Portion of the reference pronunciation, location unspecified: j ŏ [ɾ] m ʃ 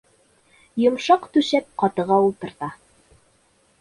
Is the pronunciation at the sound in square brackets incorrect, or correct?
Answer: incorrect